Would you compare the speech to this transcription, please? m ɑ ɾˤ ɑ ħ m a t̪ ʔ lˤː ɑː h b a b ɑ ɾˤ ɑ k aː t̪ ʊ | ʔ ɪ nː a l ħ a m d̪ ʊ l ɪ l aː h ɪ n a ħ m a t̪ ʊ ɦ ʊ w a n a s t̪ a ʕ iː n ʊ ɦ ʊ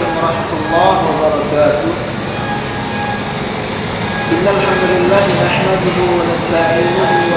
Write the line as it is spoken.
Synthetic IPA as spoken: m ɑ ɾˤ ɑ ħ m a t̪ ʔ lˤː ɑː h w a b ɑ ɾˤ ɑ k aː t̪ ʊ | ʔ ɪ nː a l ħ a m d̪ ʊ l ɪ lː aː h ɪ n a ħ m a d̪ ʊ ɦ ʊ w a n a s t̪ a ʕ iː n ʊ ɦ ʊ